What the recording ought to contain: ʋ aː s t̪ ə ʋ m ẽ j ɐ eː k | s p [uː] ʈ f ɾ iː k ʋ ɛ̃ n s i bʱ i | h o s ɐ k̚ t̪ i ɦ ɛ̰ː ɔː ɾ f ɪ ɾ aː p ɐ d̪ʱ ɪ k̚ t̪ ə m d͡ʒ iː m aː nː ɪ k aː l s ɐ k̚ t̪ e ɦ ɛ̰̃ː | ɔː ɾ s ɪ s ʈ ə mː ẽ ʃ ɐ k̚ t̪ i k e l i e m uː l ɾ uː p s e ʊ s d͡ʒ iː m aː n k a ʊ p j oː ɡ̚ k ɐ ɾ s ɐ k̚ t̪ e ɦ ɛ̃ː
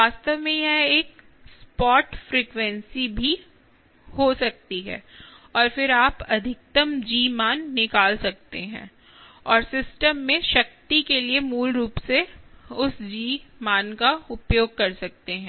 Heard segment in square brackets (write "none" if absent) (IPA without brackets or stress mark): ɔː